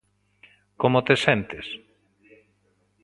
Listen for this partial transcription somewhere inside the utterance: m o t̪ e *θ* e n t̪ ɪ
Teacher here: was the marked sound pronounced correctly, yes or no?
no